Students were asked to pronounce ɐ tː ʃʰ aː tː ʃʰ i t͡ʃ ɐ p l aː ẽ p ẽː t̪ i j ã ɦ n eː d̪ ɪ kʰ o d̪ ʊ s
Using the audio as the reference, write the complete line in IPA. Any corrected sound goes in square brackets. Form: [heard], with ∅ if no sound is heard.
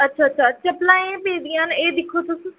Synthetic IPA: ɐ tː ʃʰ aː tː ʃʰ [a] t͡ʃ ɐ p l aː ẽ p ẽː [d̪] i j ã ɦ n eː d̪ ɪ kʰ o [t̪] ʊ s

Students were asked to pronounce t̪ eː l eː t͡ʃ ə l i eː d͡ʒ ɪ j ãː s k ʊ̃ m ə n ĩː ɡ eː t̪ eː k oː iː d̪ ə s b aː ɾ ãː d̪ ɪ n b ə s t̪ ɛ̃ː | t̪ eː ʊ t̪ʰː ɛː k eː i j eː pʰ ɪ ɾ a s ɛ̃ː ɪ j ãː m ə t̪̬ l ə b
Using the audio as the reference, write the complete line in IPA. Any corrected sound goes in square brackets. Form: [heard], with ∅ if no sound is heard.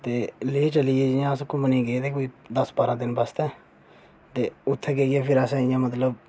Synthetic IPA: t̪ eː l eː t͡ʃ ə l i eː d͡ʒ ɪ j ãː s k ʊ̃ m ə n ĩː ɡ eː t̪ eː k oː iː d̪ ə s b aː ɾ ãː d̪ ɪ n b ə s t̪ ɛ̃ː | t̪ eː ʊ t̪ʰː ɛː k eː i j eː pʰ ɪ ɾ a s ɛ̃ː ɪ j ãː m ə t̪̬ l ə b

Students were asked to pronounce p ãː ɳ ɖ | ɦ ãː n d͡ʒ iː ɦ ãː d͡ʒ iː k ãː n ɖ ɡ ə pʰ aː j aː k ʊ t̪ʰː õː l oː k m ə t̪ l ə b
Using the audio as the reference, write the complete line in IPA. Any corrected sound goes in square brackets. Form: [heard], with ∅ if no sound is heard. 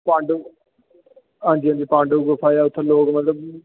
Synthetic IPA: p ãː ɳ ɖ | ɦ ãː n d͡ʒ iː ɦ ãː d͡ʒ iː [p] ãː [ɳ] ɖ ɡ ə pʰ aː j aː [∅] ʊ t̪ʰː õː l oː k m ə t̪ l ə b

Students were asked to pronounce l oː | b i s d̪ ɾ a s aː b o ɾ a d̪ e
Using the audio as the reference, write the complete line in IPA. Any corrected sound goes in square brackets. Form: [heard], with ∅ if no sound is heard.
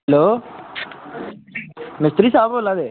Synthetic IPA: l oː | [m] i s [t̪] ɾ [i] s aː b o [l] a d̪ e

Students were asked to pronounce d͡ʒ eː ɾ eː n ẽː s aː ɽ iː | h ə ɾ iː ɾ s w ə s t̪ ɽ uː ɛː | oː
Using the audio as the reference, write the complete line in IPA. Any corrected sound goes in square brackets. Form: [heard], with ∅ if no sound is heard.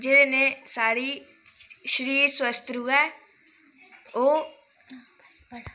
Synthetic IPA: d͡ʒ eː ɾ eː n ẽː s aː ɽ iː | [ʃ] ə ɾ iː ɾ s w ə s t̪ [ɾ] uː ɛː | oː

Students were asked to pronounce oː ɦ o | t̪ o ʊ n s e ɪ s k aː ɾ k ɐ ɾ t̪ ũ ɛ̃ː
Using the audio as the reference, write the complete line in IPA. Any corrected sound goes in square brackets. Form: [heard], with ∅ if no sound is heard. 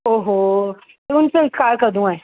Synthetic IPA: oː ɦ o | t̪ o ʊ n s e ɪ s k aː ɾ k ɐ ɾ [d̪] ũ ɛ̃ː

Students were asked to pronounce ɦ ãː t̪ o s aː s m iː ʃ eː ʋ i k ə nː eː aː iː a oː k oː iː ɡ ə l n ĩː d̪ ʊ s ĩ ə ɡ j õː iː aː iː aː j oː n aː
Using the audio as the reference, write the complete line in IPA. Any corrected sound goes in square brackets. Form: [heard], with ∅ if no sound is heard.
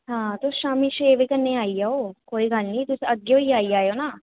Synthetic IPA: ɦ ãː t̪ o [ʃ] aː [∅] m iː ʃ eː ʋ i k ə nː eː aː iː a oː k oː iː ɡ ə l n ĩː [t̪] ʊ s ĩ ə ɡ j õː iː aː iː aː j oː n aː

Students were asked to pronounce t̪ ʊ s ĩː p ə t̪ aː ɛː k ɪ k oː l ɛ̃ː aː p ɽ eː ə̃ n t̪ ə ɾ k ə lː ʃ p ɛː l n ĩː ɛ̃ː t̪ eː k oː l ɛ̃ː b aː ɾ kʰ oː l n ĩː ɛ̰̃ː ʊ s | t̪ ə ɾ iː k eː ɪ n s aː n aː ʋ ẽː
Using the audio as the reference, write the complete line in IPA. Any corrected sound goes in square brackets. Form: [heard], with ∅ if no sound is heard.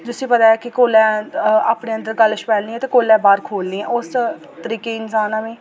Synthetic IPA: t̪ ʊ s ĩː p ə t̪ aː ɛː k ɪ k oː l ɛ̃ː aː p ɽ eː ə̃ n [d̪] ə ɾ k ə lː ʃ p ɛː l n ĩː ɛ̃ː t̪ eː k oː l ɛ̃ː b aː ɾ kʰ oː l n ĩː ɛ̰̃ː ʊ s | t̪ ə ɾ iː k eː ɪ n s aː n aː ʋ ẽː

